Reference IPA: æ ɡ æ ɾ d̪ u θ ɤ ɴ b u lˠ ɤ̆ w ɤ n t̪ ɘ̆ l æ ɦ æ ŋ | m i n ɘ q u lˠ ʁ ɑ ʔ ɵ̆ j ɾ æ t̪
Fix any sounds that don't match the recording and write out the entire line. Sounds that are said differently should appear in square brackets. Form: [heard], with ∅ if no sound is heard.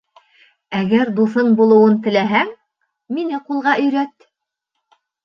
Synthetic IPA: æ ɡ æ ɾ d̪ u θ ɤ ɴ b u lˠ ɤ̆ w ɤ n t̪ ɘ̆ l æ ɦ æ ŋ | m i n ɘ q u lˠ ʁ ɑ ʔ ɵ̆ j ɾ æ t̪